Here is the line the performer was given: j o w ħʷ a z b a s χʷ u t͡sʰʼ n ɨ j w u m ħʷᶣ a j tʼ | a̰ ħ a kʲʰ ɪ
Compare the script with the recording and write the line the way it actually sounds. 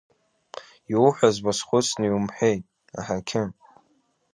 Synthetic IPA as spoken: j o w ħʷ a z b a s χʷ ʊ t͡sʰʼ n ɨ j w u m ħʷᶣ e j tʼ | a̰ ħ a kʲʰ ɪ